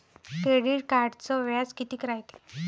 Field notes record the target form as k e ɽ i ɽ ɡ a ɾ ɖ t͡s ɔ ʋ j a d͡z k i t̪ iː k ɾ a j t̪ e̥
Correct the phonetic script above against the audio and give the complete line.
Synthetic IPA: k e ɽ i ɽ k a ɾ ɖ t͡s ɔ ʋ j a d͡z k i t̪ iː k ɾ a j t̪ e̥

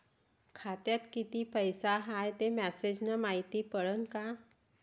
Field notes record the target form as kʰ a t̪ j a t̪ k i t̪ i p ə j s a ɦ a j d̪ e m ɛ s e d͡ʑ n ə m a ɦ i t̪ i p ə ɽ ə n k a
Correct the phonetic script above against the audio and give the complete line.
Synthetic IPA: kʰ a t̪ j a t̪ k i t̪ i p ə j s a ɦ a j t̪ e m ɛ s e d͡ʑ n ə m a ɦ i t̪ i p ə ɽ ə n k a

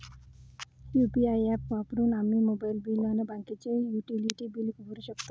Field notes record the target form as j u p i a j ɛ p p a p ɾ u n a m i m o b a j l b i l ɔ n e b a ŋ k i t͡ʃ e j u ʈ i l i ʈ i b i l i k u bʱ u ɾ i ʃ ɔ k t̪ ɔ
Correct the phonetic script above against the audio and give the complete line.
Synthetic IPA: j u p i a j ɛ p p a p ɾ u n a m i m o b a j l b i l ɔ n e b a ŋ k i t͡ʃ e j u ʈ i l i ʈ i b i l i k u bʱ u ɾ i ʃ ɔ k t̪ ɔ

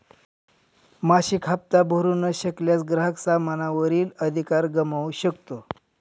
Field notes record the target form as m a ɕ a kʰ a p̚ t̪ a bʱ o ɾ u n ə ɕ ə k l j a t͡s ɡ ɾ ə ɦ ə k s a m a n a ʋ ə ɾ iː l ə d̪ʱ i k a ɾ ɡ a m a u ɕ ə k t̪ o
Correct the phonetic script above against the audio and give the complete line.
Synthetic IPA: m a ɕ i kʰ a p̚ t̪ a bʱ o ɾ u n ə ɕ ə k l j a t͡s ɡ ɾ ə ɦ ə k s a m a n a ʋ ə ɾ iː l ə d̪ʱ i k a ɾ ɡ ə m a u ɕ ə k t̪ o

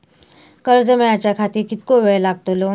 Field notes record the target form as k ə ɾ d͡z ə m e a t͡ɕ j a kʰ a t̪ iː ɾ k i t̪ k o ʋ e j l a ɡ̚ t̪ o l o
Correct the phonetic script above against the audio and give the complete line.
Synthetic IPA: k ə ɾ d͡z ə m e a t͡ɕ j a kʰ a t̪ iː ɾ k i t̪ k o ʋ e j l a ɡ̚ t̪ o l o

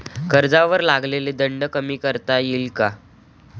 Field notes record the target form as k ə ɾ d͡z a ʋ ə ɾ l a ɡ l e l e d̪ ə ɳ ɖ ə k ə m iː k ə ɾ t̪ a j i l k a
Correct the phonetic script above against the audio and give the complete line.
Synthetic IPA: k ə ɾ d͡z a ʋ ə ɾ l a ɡ l e l e d̪ ə ɳ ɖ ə k ə m iː k ə ɾ t̪ a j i l k a

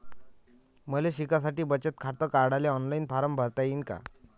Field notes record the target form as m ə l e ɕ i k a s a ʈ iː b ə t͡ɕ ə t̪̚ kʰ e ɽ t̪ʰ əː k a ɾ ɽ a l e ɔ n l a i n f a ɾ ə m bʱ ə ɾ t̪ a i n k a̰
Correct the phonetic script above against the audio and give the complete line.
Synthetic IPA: m ə l e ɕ i k a s a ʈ iː b ə t͡ɕ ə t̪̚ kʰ a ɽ t̪ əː k a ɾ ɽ a l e ɔ n l a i n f a ɾ ə m bʱ ə ɾ t̪ a i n k a̰

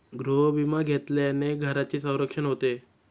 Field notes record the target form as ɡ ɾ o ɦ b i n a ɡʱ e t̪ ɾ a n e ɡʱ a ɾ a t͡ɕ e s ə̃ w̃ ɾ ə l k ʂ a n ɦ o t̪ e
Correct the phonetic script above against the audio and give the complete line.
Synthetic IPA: ɡ ɾ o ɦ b i m a ɡʱ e t̪ l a n e ɡʱ ə ɾ a t͡ɕ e s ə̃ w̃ ɾ ə k ʂ ə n ɦ o t̪ e

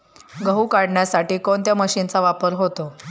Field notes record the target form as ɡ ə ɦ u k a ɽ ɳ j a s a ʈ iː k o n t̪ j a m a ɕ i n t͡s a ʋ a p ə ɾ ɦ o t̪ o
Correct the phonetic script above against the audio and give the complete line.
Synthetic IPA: ɡ ə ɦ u k a ɽ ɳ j a s a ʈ iː k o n t̪ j a m ə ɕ i n t͡s a ʋ a p ə ɾ ɦ o t̪ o

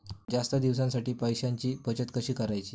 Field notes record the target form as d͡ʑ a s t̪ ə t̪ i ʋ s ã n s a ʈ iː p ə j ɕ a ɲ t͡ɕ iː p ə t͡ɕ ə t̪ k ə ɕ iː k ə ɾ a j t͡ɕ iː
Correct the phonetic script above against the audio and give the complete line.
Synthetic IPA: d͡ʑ a s t̪ ə d̪ i ʋ s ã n s a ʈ iː p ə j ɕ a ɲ t͡ɕ iː p ə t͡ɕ ə t̪ k ə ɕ iː k ə ɾ a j t͡ɕ iː

